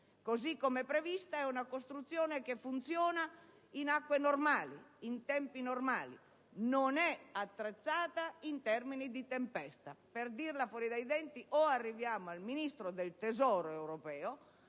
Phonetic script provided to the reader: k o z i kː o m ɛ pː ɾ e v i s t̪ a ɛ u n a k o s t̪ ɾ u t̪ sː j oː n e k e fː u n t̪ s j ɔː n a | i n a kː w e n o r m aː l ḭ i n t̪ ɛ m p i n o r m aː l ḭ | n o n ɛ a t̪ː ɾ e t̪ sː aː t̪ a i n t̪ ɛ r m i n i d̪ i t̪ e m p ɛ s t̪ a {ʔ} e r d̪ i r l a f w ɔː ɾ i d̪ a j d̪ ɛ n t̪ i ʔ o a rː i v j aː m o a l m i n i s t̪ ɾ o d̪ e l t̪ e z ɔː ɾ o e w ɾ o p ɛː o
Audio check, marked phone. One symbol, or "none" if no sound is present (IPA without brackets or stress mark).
p